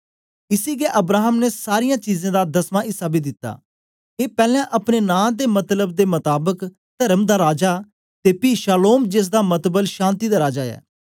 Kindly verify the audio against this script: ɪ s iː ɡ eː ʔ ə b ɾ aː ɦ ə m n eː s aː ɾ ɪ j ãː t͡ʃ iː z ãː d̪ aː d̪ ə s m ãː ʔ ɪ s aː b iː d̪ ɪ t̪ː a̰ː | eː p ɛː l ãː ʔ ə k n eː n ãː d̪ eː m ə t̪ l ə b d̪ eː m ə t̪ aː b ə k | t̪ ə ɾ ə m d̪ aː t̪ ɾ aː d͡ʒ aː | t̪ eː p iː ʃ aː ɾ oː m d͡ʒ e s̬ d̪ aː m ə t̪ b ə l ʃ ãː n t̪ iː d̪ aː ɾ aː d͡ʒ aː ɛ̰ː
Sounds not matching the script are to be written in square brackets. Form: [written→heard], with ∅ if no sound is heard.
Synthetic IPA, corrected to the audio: ɪ s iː ɡ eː ʔ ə b ɾ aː ɦ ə m n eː s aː ɾ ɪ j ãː t͡ʃ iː z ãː d̪ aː d̪ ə s m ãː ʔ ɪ s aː b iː d̪ ɪ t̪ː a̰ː | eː p ɛː l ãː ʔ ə [k→p] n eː n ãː d̪ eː m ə t̪ l ə b d̪ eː m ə t̪ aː b ə k | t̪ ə ɾ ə m d̪ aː [t̪→∅] ɾ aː d͡ʒ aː | t̪ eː p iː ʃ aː [ɾ→l] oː m d͡ʒ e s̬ d̪ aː m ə t̪ b ə l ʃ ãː n t̪ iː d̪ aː ɾ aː d͡ʒ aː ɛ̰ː